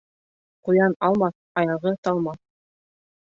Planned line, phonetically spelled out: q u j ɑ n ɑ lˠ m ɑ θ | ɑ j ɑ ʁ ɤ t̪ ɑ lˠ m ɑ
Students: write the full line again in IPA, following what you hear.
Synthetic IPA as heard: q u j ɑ n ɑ lˠ m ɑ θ | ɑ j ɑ ʁ ɤ t̪ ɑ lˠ m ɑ

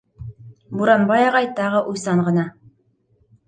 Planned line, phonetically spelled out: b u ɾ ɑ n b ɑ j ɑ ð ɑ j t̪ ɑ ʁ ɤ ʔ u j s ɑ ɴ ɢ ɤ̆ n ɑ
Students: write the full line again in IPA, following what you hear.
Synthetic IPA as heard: b u ɾ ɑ n b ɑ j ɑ ʁ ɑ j t̪ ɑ ʁ ɤ ʔ u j s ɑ ɴ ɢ ɤ̆ n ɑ

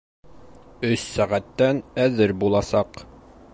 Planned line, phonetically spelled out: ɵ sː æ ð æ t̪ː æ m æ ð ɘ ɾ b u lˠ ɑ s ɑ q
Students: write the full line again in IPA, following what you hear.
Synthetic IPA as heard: ɵ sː æ ʁ æ t̪ː æ n æ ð ɘ ɾ b u lˠ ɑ s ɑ q

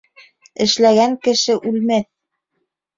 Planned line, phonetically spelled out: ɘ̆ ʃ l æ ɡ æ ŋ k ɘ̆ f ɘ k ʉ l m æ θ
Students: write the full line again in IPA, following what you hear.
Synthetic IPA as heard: ɘ̆ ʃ l æ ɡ æ ŋ k ɘ̆ ʃ ɘ ʔ ʉ l m æ θ

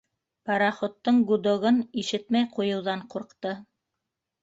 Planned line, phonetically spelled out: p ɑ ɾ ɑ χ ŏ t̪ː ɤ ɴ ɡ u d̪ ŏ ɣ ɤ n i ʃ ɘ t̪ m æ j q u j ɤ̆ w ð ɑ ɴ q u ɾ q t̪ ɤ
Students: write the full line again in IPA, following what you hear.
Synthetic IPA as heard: p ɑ ɾ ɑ χ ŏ t̪ː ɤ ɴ ɡ u d̪ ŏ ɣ ɤ n i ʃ ɘ t̪ m æ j q u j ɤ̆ w ð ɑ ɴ q u ɾ q t̪ ɤ

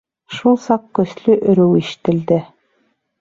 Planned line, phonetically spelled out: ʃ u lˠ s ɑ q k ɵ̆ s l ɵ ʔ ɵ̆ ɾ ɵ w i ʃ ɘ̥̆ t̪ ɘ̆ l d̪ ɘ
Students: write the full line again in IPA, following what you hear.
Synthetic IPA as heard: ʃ u lˠ s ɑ q k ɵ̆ s l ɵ ʔ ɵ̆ ɾ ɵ w i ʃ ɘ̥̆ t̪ ɘ̆ l d̪ ɘ

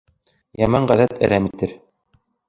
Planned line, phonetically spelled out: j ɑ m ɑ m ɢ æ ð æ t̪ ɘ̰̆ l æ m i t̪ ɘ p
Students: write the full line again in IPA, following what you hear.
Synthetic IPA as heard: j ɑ m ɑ ɴ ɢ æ ð æ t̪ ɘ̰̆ ɾ æ m i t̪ ɘ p

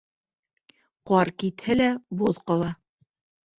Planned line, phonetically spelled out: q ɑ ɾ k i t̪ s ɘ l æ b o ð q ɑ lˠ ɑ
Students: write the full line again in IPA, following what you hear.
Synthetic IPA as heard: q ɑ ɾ k i t̪ h ɘ l æ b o ð q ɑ lˠ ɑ

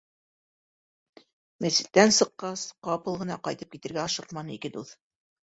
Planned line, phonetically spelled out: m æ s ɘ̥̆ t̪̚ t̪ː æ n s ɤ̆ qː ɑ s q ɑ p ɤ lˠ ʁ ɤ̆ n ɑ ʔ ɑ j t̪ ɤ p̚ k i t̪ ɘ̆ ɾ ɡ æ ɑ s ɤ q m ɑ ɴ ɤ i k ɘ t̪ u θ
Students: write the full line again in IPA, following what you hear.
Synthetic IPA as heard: m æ s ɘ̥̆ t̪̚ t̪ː æ n s ɤ̆ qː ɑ s q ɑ p ɤ lˠ ʁ ɤ̆ n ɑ q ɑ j t̪ ɤ p̚ k i t̪ ɘ̆ ɾ ɡ æ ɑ ʃ ɤ q m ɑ n ɤ i k ɘ d̪ u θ

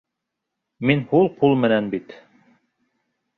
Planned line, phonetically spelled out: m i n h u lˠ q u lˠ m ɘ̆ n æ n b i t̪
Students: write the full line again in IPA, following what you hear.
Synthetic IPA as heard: m i n h u lˠ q u lˠ m ɘ̆ n æ n b i t̪

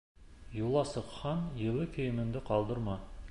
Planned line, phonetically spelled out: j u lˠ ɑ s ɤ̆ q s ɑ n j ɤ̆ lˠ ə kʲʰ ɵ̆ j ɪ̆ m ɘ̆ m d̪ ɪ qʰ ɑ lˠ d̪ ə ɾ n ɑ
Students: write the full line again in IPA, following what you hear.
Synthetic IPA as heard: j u lˠ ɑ s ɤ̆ q χ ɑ n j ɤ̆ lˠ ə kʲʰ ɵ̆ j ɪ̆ m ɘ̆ n d̪ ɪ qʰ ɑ lˠ d̪ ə ɾ m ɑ

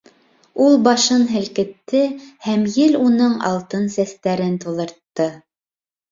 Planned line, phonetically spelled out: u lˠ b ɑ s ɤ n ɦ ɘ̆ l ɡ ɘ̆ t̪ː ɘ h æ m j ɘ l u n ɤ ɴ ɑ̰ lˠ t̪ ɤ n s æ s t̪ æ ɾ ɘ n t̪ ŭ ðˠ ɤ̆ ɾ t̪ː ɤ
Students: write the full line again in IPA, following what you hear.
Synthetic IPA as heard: u lˠ b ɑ ʃ ɤ n ɦ ɘ̆ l k ɘ̆ t̪ː ɘ h æ m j ɘ l u n ɤ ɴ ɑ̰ lˠ t̪ ɤ n s æ s t̪ æ ɾ ɘ n t̪ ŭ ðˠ ɤ̆ ɾ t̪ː ɤ

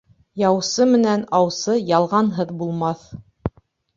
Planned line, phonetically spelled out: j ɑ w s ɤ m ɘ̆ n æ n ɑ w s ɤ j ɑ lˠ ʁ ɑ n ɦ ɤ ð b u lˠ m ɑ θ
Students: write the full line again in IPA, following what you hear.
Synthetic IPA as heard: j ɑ w s ɤ m ɘ̆ n æ n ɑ w s ɤ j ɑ lˠ ʁ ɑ n ɦ ɤ ð b u lˠ m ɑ θ

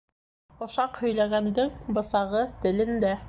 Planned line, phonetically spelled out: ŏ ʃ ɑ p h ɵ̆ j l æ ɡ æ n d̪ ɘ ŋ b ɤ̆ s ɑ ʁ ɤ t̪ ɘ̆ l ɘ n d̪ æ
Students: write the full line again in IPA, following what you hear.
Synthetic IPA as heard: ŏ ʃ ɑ q h ɵ̆ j l æ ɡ æ n d̪ ɘ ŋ b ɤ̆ s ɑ ʁ ɤ t̪ ɘ̆ l ɘ n d̪ æ

